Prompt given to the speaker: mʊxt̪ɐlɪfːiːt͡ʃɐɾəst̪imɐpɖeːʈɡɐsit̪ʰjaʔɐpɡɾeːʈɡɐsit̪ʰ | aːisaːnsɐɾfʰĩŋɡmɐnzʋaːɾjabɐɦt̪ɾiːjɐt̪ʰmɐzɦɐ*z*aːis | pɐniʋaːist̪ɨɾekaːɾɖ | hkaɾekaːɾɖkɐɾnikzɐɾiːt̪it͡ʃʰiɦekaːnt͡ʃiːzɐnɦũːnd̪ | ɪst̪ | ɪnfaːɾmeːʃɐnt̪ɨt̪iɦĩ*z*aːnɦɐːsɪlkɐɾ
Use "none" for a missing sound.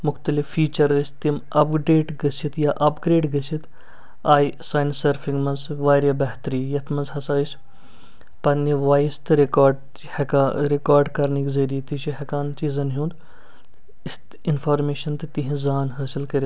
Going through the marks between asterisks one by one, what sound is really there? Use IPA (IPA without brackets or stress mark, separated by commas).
s, z